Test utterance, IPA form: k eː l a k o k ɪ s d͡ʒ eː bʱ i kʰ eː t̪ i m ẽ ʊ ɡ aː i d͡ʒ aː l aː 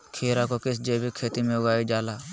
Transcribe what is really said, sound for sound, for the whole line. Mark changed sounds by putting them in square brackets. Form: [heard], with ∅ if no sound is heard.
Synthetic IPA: [kʰ] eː [ɾ] a k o k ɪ s d͡ʒ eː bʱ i kʰ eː t̪ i m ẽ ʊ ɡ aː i d͡ʒ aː l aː